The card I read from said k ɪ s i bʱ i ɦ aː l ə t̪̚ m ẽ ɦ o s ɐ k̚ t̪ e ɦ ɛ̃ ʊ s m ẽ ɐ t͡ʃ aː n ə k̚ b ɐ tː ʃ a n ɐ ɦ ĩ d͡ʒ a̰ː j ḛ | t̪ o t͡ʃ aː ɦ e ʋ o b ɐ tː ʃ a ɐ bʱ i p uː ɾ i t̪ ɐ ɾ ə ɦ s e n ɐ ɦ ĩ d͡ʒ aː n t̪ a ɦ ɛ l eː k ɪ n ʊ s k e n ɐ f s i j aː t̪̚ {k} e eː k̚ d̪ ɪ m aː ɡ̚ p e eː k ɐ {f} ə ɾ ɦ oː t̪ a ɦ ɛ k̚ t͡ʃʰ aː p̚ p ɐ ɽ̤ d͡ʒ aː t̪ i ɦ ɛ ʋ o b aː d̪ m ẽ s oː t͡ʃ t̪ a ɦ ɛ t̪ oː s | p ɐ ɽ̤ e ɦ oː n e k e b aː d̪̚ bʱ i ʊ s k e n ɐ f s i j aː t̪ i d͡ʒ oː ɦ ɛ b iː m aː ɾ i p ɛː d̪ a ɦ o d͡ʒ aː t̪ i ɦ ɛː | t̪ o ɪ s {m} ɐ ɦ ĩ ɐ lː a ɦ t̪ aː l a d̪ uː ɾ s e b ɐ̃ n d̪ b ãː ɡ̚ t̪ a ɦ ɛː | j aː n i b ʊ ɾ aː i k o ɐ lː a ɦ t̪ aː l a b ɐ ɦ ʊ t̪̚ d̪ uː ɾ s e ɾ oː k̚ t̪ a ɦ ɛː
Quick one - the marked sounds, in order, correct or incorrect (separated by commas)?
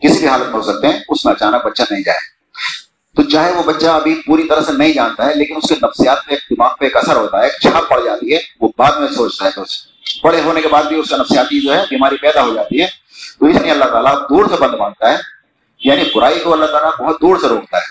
incorrect, incorrect, incorrect